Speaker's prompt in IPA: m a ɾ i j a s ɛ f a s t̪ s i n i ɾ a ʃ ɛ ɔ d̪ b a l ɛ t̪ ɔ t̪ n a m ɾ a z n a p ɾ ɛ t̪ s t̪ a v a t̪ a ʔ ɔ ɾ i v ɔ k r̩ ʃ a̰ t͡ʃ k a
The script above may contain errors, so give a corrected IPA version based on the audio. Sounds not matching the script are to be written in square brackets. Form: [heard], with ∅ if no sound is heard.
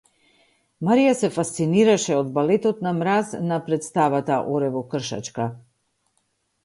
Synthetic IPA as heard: m a ɾ i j a s ɛ f a s t̪ s i n i ɾ a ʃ ɛ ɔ d̪ b a l ɛ t̪ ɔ t̪ n a m ɾ a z n a p ɾ ɛ t̪ s t̪ a v a t̪ a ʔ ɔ ɾ [ɛ] v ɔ k r̩ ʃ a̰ t͡ʃ k a